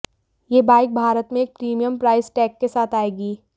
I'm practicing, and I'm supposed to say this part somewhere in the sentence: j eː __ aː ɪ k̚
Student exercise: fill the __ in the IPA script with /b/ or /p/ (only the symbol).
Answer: b